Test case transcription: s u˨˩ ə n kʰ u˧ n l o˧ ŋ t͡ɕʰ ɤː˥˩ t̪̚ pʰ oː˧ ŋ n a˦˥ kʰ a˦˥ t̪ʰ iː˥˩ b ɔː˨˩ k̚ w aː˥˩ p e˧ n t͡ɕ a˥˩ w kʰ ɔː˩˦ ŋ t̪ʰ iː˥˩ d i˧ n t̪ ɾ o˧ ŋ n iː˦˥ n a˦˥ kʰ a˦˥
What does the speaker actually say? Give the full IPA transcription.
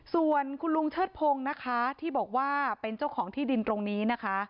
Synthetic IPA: s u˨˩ ə n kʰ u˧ n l u˧ ŋ t͡ɕʰ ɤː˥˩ t̪̚ pʰ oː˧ ŋ n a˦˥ kʰ a˦˥ t̪ʰ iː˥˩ b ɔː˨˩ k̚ w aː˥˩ p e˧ n t͡ɕ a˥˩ w kʰ ɔː˩˦ ŋ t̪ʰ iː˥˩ d i˧ n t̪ ɾ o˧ ŋ n iː˦˥ n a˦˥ kʰ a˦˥